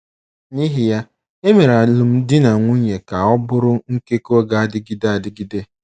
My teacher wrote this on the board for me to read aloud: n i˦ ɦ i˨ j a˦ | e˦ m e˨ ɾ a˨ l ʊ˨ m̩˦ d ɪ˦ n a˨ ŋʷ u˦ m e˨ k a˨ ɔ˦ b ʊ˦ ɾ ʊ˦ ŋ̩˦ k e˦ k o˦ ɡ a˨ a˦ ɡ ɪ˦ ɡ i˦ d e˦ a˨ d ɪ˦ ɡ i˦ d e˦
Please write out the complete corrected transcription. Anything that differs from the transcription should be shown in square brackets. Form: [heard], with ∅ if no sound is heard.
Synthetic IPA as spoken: n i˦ ɦ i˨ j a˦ | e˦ m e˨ ɾ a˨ l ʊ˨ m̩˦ d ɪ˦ n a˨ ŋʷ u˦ [ɲ] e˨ k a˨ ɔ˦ b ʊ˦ ɾ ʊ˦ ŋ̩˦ k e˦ k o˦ ɡ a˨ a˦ [d] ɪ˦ ɡ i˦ d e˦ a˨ d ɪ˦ ɡ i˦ d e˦